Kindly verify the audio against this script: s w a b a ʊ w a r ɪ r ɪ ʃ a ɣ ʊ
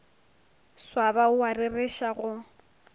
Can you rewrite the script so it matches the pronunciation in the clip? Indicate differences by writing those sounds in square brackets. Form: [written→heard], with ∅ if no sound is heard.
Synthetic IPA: s w a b a ʊ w a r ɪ r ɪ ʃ a ɣ ʊ